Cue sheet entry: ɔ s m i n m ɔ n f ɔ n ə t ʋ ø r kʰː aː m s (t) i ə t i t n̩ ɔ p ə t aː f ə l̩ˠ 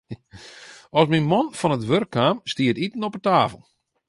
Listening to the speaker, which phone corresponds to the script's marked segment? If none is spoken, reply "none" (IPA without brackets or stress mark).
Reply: t